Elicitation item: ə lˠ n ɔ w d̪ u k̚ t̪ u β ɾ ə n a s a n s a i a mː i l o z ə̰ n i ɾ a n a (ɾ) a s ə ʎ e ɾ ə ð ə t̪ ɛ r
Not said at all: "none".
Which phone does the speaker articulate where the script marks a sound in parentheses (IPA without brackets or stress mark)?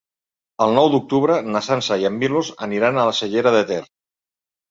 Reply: l